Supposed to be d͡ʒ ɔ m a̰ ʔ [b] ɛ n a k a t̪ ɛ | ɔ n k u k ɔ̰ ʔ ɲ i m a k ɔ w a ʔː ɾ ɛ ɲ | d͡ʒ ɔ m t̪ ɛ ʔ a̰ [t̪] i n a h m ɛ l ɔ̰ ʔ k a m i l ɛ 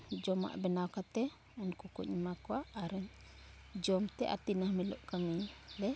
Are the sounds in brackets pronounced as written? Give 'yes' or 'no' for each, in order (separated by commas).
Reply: yes, yes